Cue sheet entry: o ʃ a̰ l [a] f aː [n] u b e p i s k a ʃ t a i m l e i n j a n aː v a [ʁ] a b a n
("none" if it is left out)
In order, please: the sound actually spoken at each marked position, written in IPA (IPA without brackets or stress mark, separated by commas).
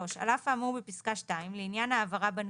a, m, ʁ